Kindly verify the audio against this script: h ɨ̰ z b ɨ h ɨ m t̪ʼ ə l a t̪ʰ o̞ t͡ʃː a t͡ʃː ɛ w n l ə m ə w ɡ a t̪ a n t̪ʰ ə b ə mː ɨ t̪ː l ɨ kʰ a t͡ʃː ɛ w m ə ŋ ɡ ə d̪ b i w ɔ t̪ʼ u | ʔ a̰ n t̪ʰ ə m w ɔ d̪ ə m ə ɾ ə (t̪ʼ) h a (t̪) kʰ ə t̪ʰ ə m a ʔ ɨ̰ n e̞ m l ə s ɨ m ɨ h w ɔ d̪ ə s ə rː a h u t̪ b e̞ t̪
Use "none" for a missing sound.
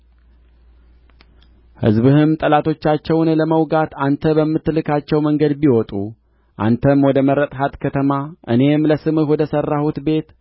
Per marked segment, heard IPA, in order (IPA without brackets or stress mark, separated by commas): t̪ʼ, t̪